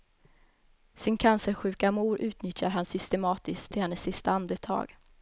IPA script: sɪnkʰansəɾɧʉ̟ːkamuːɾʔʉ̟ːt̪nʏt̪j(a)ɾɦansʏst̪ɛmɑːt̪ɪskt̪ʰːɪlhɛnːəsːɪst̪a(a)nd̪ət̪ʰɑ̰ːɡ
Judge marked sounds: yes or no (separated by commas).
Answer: yes, yes